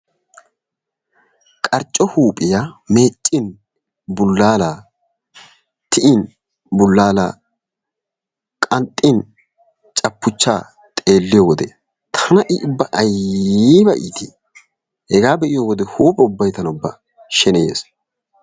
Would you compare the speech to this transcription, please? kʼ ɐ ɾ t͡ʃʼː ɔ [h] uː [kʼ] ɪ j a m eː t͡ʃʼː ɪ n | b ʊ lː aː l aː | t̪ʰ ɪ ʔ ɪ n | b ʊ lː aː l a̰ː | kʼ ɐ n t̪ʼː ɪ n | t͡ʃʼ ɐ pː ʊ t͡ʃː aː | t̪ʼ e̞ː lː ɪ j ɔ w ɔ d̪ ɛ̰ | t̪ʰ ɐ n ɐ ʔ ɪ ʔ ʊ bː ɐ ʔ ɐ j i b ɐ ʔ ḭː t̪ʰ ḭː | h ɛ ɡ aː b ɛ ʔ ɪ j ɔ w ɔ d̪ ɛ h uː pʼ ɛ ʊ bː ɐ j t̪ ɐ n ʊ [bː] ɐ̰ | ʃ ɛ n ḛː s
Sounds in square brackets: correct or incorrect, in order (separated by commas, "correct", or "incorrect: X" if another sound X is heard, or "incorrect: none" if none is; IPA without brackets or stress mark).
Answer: correct, incorrect: pʼ, correct